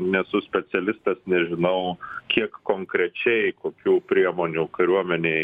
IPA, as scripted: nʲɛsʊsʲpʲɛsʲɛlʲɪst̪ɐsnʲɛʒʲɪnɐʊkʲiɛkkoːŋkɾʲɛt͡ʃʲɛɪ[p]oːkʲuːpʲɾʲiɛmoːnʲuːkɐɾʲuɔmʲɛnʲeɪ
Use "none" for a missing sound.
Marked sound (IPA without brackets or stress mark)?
k